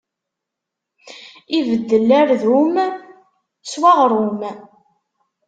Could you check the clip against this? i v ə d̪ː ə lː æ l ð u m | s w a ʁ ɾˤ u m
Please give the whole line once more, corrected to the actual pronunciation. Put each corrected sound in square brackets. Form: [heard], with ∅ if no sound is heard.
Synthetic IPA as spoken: i v ə d̪ː ə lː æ [ɾ] ð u m | s w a ʁ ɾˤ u m